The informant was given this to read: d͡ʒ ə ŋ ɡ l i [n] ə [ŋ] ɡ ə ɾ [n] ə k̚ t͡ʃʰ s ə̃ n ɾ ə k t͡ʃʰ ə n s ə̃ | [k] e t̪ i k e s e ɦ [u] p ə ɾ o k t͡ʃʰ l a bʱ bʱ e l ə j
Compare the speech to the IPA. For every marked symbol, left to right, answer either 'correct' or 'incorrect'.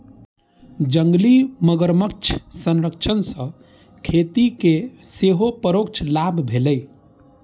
incorrect: m, incorrect: none, incorrect: m, incorrect: kʰ, incorrect: o

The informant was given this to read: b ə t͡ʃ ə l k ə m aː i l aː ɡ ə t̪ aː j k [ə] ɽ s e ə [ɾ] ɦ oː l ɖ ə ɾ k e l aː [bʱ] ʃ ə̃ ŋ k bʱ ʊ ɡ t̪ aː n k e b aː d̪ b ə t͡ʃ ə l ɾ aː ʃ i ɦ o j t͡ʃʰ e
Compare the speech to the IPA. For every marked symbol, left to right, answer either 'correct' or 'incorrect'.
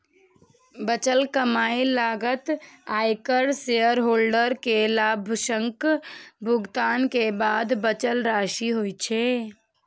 correct, correct, correct

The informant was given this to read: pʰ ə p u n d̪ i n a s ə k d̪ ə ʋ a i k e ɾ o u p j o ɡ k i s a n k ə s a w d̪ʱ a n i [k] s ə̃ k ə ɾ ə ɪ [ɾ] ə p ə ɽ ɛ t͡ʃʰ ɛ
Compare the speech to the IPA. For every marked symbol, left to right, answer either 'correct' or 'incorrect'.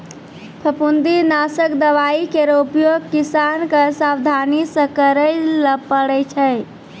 incorrect: none, incorrect: l

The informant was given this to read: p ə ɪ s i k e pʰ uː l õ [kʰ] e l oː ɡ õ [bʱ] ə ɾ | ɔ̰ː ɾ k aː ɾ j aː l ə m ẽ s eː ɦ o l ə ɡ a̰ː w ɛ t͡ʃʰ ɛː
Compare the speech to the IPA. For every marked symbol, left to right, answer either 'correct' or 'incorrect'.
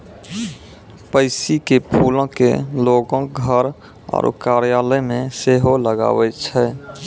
incorrect: k, incorrect: ɡʱ

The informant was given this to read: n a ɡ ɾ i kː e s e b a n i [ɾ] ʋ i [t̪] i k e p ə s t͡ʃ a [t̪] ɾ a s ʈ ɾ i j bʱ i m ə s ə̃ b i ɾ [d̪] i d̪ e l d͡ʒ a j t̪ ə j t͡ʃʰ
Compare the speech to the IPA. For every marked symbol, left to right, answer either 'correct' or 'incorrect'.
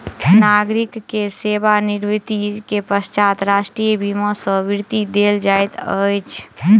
correct, correct, correct, incorrect: t̪

